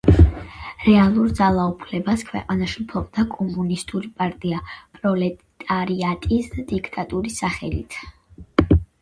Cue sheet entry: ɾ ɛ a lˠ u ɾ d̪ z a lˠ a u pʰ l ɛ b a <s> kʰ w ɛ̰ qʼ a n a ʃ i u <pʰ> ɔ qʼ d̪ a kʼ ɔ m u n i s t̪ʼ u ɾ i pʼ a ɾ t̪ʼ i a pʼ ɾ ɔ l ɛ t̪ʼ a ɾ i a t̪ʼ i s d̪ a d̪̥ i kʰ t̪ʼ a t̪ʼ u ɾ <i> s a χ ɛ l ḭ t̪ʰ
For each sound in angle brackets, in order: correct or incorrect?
correct, correct, correct

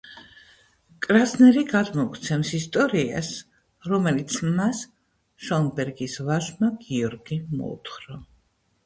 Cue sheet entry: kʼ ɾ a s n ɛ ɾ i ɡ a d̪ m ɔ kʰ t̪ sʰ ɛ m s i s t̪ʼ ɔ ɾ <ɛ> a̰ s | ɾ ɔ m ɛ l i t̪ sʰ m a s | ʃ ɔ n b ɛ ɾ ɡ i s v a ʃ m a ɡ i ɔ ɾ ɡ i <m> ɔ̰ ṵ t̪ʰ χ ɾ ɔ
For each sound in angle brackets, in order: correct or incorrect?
incorrect: i, correct

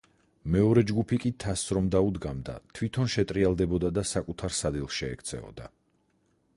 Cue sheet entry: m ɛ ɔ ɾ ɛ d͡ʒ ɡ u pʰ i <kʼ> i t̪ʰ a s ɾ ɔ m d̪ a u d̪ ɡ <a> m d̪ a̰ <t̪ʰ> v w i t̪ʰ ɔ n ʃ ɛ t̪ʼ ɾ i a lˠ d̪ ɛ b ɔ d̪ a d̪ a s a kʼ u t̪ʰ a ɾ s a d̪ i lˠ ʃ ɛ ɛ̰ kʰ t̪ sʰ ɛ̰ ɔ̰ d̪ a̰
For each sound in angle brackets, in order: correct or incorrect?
correct, correct, correct

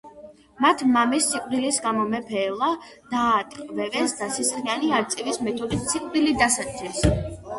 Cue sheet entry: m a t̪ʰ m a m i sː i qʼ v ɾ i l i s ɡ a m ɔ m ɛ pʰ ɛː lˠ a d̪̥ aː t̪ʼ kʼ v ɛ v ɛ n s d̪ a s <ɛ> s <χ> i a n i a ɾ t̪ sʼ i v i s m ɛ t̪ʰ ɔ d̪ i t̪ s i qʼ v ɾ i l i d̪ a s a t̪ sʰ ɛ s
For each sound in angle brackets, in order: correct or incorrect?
incorrect: i, correct

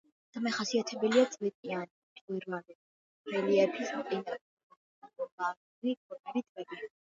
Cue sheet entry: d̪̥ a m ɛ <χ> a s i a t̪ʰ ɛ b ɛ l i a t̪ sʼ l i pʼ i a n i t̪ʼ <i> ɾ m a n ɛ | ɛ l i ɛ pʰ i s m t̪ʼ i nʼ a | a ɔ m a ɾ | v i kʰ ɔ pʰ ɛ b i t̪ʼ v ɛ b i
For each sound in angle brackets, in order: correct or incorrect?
correct, correct

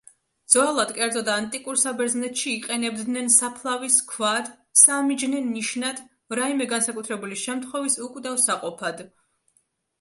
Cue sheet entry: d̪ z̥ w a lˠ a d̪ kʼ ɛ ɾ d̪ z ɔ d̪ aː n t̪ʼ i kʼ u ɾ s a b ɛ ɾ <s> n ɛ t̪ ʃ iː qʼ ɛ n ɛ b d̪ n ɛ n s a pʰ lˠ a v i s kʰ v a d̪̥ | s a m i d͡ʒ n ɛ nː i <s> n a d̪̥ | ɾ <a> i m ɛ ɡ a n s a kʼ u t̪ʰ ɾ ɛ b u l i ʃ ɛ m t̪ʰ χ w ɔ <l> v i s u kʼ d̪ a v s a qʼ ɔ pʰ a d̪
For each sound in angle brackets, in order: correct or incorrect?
incorrect: z, incorrect: ʃ, correct, incorrect: none

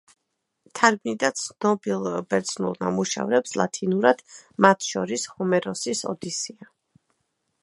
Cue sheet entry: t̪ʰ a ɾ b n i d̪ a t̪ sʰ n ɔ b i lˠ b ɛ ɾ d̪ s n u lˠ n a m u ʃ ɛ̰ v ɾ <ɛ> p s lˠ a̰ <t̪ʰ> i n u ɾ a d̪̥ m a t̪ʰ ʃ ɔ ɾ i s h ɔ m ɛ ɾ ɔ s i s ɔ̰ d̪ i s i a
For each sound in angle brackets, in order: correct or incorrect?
correct, correct

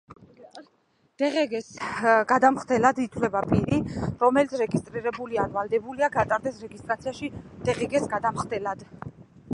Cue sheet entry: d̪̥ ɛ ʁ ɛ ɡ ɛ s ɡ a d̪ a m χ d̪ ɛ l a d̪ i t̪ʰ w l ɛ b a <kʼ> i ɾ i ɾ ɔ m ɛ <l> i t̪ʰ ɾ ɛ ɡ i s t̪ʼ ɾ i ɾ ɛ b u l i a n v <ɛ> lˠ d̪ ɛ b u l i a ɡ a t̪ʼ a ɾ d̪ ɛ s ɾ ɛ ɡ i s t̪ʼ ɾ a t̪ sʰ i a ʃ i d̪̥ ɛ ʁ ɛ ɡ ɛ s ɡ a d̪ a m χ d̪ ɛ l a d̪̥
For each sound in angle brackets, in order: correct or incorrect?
incorrect: pʼ, correct, incorrect: a

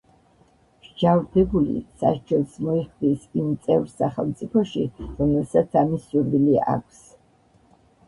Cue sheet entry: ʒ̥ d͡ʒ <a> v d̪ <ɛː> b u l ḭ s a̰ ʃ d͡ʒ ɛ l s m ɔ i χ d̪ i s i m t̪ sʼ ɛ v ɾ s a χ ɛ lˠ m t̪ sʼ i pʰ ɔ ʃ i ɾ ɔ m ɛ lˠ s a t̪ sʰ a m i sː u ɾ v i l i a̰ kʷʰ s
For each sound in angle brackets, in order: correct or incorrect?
correct, incorrect: ɛ

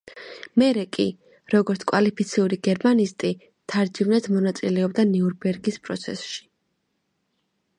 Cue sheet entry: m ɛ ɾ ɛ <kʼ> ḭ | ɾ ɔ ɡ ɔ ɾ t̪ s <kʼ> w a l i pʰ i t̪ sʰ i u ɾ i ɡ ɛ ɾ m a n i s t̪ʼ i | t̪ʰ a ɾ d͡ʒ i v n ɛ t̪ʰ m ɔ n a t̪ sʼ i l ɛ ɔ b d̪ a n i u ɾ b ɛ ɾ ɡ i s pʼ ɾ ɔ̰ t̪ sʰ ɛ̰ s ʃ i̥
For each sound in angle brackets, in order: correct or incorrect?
correct, correct

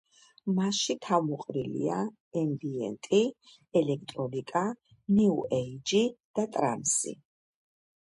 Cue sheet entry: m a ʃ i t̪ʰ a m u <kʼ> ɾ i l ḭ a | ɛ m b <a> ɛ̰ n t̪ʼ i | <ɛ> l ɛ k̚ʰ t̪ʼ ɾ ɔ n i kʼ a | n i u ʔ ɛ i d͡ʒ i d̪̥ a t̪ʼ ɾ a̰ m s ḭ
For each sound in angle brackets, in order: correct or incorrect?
incorrect: qʼ, incorrect: i, correct

